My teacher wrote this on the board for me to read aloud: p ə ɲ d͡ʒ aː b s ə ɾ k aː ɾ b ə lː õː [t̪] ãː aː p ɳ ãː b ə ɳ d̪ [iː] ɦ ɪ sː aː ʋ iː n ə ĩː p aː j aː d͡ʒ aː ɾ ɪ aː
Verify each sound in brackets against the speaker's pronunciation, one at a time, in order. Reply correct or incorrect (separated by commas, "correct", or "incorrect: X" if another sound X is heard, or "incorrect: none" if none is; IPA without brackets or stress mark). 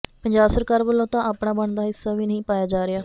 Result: correct, incorrect: aː